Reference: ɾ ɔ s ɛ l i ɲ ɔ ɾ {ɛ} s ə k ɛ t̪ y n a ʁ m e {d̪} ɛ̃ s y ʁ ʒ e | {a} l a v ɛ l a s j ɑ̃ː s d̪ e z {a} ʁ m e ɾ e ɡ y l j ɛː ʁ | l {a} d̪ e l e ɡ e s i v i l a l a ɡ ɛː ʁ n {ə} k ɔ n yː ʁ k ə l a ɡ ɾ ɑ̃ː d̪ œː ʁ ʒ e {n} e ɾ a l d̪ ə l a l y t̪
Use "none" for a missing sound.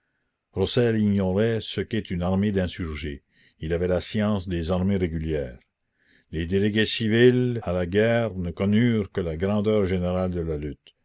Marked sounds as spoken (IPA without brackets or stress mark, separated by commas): ɛ, d̪, i, a, e, ə, n